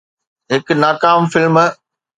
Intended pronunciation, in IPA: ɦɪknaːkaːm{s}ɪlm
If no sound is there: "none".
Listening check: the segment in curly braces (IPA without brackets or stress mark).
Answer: f